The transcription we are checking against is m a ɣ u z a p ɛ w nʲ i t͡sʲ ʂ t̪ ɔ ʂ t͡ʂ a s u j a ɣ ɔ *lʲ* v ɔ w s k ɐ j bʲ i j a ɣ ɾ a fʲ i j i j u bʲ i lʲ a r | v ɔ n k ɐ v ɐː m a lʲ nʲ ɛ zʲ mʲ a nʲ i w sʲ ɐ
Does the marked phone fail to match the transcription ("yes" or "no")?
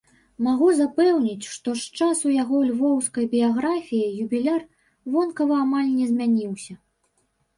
no